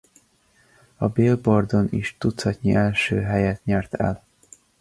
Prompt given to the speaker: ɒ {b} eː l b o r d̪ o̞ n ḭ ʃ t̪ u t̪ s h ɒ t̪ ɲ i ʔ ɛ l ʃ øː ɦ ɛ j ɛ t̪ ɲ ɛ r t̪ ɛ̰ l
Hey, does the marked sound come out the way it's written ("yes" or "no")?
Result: yes